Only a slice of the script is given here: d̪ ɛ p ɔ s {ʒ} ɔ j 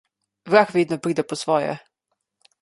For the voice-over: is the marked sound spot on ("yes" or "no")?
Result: no